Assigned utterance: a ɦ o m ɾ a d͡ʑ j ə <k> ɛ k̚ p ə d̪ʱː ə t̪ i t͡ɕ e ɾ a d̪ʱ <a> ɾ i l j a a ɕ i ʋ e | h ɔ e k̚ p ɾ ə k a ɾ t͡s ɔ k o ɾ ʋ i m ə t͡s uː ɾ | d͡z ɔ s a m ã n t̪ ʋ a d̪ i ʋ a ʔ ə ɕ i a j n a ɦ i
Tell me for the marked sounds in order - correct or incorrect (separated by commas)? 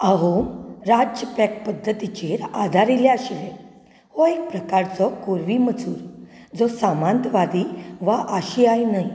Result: incorrect, correct